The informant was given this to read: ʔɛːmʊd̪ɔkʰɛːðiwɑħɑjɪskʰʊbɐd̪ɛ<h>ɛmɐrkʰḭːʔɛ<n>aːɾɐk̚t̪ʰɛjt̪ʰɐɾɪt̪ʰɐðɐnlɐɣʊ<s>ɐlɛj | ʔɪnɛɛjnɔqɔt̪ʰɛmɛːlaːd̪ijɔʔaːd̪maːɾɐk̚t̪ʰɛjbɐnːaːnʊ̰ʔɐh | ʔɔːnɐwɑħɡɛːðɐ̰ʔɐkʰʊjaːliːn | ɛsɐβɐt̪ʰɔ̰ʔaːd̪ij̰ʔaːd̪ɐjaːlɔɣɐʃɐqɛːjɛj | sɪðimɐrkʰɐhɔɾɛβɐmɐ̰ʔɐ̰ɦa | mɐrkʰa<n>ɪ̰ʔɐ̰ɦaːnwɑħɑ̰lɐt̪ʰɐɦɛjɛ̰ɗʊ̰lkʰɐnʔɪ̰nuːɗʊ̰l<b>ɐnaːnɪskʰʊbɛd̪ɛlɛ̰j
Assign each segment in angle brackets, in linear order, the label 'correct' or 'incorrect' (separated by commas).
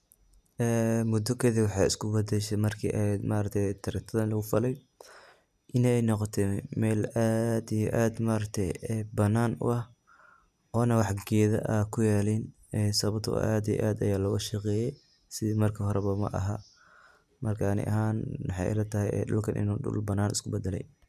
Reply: incorrect, incorrect, incorrect, correct, correct